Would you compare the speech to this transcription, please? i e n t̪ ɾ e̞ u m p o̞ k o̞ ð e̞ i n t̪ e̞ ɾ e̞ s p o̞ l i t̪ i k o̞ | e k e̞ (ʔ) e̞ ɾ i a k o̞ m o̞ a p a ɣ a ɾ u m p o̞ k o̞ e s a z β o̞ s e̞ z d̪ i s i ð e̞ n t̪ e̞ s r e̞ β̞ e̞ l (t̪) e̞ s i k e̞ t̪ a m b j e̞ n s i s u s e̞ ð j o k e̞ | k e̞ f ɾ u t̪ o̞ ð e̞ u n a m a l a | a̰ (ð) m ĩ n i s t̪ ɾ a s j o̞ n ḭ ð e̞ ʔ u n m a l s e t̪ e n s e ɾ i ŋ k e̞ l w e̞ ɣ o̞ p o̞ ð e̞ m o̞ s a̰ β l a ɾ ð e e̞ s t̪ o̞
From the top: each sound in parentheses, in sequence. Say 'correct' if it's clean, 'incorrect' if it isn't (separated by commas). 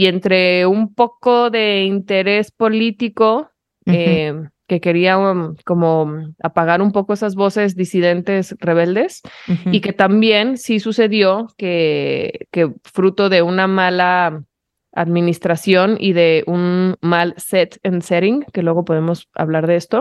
incorrect, incorrect, correct